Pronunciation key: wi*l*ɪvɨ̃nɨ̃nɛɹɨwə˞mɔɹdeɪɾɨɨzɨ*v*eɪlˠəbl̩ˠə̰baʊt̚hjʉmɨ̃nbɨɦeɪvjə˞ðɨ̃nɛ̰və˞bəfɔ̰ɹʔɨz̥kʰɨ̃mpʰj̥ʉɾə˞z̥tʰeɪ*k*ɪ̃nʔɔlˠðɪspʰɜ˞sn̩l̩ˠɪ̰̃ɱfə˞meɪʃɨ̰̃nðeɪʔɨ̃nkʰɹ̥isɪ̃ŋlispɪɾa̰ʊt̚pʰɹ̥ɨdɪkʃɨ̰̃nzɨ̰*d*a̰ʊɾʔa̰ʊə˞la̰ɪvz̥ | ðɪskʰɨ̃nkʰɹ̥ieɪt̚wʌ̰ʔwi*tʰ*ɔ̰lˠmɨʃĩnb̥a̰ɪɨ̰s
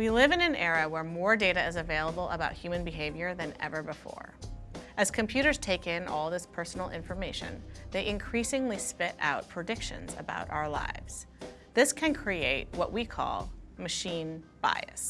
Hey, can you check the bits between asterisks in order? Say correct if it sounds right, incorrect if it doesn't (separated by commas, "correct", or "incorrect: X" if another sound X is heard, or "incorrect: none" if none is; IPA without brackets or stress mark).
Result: correct, correct, correct, incorrect: b, incorrect: kʰ